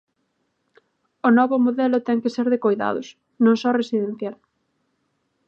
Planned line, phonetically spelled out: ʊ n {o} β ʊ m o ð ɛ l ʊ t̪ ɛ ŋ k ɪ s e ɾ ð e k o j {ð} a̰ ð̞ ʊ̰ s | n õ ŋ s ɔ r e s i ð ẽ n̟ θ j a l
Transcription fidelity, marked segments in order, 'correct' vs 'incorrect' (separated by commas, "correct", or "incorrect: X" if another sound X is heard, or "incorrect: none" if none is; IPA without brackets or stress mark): incorrect: ɔ, correct